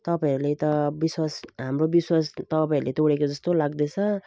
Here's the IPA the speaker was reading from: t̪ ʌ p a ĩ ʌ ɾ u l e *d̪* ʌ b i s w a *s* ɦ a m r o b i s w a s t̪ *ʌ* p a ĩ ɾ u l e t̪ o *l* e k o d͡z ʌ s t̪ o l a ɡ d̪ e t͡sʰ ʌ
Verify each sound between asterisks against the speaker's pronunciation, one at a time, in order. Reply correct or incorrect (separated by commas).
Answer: incorrect, correct, correct, incorrect